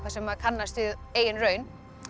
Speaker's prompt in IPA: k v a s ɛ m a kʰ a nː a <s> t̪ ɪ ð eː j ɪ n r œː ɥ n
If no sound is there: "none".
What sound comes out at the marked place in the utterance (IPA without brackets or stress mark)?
s